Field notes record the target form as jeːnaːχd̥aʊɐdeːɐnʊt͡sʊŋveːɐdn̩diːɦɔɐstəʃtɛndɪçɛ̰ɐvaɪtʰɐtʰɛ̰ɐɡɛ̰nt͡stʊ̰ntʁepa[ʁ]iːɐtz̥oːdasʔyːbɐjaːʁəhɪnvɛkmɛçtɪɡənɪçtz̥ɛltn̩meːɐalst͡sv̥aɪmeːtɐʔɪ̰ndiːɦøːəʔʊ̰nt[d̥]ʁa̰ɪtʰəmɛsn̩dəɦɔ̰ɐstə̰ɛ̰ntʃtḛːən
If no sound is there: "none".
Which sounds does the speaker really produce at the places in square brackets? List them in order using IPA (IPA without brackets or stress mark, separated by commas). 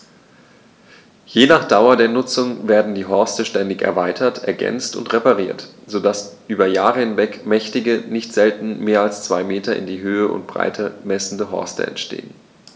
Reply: ʁ, b̥